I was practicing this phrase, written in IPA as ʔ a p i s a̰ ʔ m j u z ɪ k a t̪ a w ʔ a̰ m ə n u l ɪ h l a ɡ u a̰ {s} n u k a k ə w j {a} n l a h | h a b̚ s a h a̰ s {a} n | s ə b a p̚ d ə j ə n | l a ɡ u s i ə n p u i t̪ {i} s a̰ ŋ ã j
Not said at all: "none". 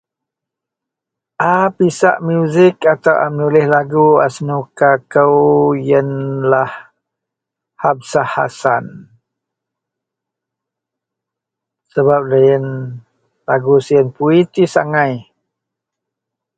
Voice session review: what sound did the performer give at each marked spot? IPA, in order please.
s, ə, a, i

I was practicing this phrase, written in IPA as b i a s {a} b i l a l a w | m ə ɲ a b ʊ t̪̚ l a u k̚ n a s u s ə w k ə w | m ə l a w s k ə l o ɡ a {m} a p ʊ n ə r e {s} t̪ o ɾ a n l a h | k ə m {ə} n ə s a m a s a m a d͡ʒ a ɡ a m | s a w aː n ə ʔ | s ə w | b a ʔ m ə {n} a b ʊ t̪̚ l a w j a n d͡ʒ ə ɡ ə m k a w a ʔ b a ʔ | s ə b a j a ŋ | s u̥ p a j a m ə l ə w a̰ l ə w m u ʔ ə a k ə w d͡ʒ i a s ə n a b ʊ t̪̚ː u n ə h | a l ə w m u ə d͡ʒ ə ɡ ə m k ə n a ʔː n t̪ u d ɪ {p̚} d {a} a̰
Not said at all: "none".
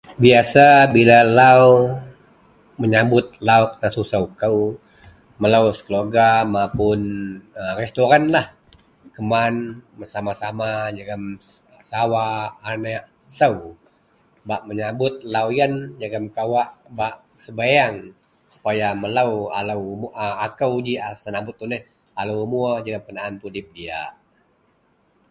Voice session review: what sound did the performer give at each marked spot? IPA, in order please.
a, m, s, a, ɲ, p̚, i

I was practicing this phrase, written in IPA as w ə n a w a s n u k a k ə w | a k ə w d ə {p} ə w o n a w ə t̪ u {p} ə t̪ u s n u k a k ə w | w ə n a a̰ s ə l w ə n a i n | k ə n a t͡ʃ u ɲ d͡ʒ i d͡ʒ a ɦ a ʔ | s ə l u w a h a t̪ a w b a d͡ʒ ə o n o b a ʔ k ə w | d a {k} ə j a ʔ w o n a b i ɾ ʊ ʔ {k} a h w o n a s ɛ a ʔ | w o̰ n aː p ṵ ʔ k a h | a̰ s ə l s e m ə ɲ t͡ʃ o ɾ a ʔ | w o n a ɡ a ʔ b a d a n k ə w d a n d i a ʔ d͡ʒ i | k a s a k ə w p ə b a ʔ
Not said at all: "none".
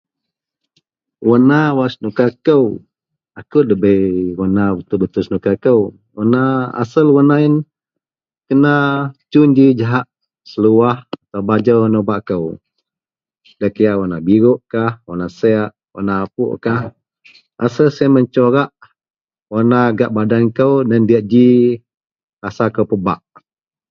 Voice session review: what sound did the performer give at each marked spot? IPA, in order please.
b, b, k, k

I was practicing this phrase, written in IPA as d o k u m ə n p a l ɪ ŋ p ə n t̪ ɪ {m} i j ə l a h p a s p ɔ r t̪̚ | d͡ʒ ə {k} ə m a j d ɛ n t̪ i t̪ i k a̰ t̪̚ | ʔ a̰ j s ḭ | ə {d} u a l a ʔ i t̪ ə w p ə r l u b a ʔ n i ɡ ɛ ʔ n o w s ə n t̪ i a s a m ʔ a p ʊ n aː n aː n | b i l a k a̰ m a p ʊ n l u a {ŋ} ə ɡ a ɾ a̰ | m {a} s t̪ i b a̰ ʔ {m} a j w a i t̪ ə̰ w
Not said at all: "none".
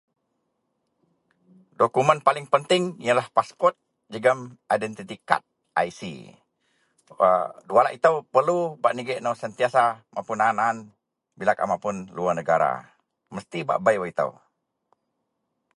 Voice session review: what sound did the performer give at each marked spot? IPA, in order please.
ŋ, ɡ, d, n, ə, b

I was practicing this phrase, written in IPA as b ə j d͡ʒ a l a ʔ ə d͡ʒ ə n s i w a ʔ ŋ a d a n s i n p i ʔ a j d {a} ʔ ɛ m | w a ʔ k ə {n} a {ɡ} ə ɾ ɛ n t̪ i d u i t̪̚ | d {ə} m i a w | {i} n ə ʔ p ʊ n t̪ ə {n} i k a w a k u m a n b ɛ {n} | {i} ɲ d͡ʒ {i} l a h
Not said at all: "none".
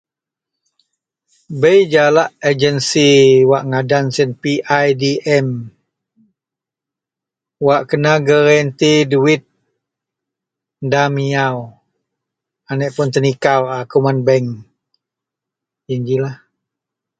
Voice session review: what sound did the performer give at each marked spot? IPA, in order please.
i, n, ɡ, a, a, n, ŋ, i, i

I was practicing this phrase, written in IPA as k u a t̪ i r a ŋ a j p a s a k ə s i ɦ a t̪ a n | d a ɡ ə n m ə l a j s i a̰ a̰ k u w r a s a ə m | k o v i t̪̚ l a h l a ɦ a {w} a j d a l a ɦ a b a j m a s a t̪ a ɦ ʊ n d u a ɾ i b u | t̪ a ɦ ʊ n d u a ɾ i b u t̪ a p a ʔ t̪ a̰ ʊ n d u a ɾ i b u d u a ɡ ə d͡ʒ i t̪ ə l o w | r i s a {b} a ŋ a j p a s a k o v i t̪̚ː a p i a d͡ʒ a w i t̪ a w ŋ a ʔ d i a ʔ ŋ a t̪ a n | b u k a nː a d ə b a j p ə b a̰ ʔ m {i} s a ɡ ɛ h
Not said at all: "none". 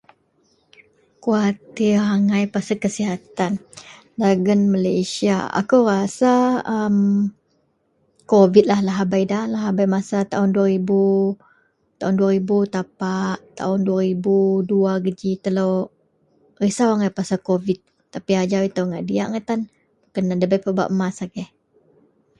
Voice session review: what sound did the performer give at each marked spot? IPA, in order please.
b, w, a

